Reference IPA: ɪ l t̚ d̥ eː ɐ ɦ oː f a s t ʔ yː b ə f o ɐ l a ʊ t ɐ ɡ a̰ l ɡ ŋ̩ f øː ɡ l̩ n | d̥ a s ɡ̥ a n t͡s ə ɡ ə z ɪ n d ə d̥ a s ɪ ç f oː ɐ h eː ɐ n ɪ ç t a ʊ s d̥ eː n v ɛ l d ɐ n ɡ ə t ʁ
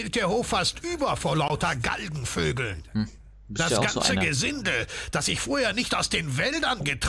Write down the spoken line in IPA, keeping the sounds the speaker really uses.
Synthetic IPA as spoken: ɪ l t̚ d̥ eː ɐ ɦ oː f a s t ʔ yː b ɐ f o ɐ l a ʊ t ɐ ɡ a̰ l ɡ ŋ̩ f øː ɡ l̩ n | d̥ a s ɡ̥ a n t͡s ə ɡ ə z ɪ n d ə d̥ a s ɪ ç f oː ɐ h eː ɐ n ɪ ç t a ʊ s d̥ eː n v ɛ l d ɐ n ɡ ə t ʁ

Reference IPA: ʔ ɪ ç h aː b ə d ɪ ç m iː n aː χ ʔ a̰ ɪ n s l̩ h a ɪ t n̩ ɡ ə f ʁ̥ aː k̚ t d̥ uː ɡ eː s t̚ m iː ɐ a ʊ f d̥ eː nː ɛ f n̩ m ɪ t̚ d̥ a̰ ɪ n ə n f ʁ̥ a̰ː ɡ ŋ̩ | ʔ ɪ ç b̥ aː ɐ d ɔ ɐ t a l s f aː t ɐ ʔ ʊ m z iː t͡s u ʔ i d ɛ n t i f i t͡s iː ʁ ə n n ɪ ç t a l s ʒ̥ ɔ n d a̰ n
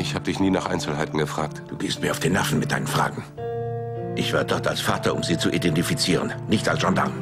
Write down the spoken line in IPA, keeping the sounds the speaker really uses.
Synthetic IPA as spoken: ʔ ɪ ç h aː b ə d ɪ ç n iː n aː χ ʔ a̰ ɪ n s l̩ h a ɪ t n̩ ɡ ə f ʁ̥ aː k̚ t d̥ uː ɡ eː s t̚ m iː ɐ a ʊ f d̥ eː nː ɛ f n̩ m ɪ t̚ d̥ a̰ ɪ n ə n f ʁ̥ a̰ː ɡ ŋ̩ | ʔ ɪ ç v̥ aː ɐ d ɔ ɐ t a l s f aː t ɐ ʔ ʊ m z iː t͡s u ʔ i d ɛ n t i f i t͡s iː ʁ ə n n ɪ ç t a l s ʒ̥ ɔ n d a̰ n

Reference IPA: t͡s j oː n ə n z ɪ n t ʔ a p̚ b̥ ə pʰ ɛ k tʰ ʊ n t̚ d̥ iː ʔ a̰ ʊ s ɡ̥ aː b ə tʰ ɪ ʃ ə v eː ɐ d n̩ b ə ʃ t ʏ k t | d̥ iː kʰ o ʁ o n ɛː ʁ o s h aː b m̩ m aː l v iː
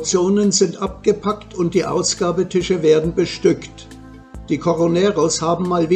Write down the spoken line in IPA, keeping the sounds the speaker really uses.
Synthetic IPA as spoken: t͡s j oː n ə n z ɪ n t ʔ a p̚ ɡ̥ ə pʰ a k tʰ ʊ n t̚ d̥ iː ʔ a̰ ʊ s ɡ̥ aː b ə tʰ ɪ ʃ ə v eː ɐ d n̩ b ə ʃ t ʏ k t | d̥ iː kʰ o ʁ o n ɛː ʁ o s h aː b m̩ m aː l v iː

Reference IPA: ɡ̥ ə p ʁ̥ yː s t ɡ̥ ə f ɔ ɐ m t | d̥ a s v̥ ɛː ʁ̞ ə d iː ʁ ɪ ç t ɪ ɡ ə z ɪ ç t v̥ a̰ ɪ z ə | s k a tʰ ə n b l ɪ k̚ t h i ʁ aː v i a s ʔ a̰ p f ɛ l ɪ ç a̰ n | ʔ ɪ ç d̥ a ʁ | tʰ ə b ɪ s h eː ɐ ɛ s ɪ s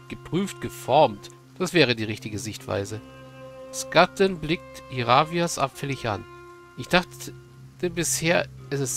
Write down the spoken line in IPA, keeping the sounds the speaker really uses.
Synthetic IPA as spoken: ɡ̥ ə p ʁ̥ yː f t ɡ̥ ə f ɔ ɐ m t | d̥ a s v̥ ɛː ʁ̞ ə d iː ʁ ɪ ç t ɪ ɡ ə z ɪ ç t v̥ a̰ ɪ z ə | s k a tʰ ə n b l ɪ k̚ t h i ʁ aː v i a s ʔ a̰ p f ɛ l ɪ ç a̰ n | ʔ ɪ ç d̥ a χ | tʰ ə b ɪ s h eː ɐ ɛ s ɪ s

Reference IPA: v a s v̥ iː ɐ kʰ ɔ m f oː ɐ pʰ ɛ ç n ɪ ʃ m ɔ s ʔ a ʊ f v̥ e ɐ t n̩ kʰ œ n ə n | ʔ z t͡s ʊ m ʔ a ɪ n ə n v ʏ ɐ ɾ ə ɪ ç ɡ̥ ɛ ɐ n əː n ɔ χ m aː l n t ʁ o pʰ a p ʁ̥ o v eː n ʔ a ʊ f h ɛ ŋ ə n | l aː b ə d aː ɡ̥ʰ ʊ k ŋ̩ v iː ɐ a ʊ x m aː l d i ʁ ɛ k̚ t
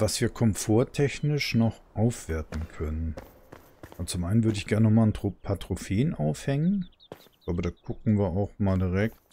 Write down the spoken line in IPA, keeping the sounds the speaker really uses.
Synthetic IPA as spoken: v a s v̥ iː ɐ kʰ ɔ m f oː ɐ tʰ ɛ ç n ɪ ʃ n ɔ χ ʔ a ʊ f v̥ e ɐ t n̩ kʰ œ n ə n | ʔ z t͡s ʊ m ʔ a ɪ n ə n v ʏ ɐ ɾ ə ɪ ç ɡ̥ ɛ ɐ n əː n ɔ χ m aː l n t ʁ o pʰ a t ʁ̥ o f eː n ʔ a ʊ f h ɛ ŋ ə n | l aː b ə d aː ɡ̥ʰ ʊ k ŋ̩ v iː ɐ a ʊ x m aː l d i ʁ ɛ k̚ t

